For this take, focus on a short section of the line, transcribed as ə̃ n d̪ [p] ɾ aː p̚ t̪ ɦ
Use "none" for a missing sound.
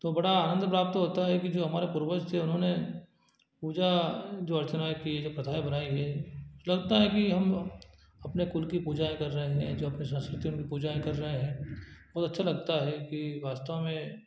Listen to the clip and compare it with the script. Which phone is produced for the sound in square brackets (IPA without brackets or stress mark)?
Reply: p